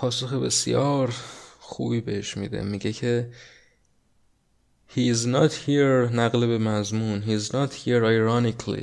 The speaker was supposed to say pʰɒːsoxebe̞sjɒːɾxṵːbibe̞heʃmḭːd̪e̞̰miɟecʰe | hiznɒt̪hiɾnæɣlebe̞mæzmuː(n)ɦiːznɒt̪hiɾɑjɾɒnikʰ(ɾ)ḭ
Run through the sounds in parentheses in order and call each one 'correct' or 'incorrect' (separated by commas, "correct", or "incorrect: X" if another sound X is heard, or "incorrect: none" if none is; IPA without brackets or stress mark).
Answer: correct, incorrect: l